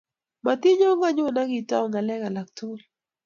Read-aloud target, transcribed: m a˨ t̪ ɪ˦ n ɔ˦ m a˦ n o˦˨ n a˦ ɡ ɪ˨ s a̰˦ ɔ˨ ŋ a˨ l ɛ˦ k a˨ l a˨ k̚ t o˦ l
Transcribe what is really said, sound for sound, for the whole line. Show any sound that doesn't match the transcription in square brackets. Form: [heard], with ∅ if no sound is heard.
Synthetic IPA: m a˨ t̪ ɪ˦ [ɲ] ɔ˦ [ŋ] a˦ [ɲ] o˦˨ n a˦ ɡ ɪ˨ [t] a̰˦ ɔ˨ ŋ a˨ l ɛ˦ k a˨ l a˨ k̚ t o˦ l